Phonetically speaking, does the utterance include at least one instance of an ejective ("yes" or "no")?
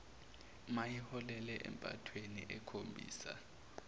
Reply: yes